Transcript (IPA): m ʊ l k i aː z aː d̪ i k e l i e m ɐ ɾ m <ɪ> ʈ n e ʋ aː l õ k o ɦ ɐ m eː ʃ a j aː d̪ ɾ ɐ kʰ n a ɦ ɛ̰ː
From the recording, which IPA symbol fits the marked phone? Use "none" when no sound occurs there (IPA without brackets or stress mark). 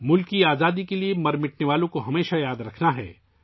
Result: ɪ